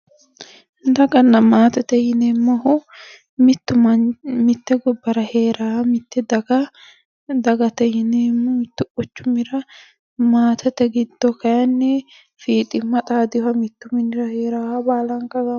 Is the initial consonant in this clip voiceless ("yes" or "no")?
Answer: no